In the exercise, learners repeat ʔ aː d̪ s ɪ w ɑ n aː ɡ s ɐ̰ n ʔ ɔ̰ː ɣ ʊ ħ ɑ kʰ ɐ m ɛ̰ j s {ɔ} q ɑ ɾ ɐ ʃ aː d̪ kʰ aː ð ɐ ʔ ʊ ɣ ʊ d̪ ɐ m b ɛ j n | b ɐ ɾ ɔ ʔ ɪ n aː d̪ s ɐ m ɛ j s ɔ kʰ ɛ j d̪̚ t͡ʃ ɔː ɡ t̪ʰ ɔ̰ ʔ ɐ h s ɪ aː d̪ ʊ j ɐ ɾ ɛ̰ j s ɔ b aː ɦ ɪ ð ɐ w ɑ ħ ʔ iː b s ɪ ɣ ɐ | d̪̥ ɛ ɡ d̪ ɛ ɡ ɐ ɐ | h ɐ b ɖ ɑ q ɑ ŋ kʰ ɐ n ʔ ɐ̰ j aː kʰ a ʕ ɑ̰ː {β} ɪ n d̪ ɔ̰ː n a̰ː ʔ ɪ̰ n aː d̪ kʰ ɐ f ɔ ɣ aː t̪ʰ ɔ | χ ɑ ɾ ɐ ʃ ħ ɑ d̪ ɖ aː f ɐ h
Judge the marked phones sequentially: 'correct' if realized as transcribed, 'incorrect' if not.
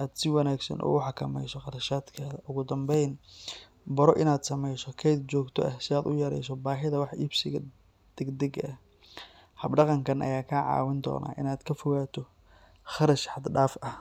correct, incorrect: w

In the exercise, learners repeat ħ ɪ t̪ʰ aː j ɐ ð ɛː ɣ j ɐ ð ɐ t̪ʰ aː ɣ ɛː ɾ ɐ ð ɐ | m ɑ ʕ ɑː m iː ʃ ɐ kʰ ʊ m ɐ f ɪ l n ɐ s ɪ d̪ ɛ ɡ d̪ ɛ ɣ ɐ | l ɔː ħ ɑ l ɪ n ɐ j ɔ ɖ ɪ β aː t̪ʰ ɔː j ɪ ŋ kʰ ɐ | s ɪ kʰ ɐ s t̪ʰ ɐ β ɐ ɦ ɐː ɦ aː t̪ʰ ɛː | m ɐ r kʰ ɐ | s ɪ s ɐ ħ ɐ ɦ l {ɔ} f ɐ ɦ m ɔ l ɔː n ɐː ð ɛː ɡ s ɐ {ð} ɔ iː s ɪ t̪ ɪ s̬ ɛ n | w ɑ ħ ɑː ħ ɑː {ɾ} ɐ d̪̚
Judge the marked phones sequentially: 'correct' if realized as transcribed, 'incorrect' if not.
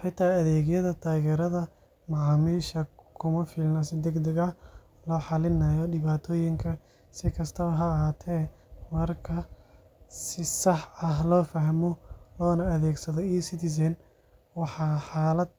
incorrect: ɔː, correct, incorrect: l

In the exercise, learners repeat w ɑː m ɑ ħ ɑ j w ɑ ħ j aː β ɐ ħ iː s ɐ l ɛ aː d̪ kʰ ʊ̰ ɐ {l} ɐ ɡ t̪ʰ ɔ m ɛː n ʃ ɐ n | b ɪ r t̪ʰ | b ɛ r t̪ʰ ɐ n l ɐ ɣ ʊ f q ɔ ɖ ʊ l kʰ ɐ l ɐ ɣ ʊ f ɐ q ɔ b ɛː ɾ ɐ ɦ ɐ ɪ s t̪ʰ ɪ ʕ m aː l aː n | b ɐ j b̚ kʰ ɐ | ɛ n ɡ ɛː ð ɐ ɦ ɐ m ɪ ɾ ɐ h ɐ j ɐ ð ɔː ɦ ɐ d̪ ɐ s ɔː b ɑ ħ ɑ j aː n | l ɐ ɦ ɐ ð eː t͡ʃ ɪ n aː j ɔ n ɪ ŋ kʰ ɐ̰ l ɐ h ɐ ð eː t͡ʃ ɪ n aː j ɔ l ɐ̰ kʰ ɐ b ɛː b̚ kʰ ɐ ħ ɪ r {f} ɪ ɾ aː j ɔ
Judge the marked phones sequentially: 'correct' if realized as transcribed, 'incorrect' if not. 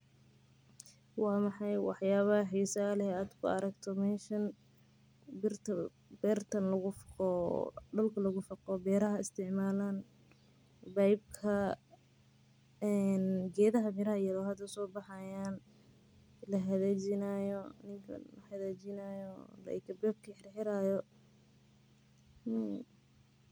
incorrect: ɾ, incorrect: ħ

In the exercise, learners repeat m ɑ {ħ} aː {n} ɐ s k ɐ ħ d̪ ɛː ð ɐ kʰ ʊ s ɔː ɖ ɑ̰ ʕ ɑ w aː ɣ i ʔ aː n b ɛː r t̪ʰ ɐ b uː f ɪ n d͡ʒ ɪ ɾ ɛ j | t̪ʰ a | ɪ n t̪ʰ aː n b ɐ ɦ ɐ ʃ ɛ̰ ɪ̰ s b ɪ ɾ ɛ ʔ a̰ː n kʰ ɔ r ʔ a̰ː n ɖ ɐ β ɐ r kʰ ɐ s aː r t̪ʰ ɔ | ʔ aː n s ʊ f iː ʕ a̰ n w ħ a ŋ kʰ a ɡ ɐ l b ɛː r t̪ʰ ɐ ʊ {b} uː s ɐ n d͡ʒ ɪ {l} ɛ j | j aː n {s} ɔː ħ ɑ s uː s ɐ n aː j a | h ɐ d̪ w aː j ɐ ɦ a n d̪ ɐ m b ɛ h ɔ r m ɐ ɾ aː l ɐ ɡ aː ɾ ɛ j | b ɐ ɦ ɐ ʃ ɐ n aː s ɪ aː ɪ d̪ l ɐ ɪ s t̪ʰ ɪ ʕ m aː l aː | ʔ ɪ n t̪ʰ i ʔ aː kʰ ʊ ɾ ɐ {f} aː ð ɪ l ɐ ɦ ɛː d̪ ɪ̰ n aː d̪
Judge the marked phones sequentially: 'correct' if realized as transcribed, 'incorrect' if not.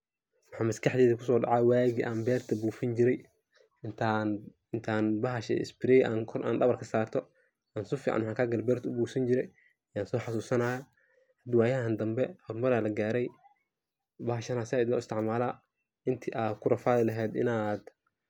correct, incorrect: m, correct, incorrect: ɾ, correct, correct

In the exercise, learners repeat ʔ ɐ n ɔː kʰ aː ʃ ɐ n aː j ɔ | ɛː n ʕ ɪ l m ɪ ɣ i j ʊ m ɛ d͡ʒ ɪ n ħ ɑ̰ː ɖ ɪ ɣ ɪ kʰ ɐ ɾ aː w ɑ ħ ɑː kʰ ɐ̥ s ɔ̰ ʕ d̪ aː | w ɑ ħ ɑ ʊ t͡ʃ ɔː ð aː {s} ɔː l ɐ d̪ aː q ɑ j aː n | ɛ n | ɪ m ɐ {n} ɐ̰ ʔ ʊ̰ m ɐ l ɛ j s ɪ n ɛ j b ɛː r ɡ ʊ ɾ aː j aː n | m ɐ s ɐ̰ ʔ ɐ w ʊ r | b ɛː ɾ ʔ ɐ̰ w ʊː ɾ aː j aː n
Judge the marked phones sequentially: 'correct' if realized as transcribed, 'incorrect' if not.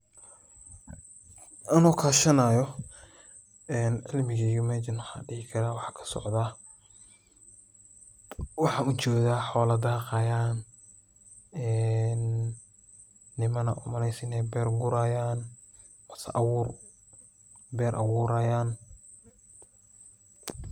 incorrect: ħ, correct

